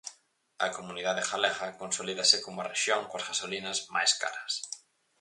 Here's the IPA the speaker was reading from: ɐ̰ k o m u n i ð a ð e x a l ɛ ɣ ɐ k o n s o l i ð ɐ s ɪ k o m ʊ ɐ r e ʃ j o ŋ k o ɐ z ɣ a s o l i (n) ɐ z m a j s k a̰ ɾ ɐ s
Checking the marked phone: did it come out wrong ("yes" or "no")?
no